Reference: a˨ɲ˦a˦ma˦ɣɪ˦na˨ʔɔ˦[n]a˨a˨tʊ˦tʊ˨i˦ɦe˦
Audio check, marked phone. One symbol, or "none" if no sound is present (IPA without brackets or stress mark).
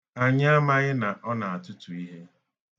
n